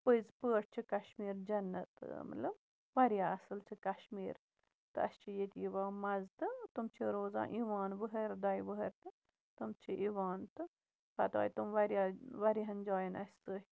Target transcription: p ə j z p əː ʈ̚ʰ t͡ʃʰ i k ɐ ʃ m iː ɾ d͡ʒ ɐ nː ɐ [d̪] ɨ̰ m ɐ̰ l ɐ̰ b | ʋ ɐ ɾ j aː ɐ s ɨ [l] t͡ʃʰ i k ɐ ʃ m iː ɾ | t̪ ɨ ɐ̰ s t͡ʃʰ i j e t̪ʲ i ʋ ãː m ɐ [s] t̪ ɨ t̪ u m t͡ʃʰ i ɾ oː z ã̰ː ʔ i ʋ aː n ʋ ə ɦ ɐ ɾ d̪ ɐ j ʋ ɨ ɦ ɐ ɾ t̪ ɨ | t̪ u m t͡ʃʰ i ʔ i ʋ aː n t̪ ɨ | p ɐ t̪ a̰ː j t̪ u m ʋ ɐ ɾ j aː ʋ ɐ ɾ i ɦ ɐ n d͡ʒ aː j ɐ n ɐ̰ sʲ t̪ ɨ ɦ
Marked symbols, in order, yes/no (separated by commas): no, yes, no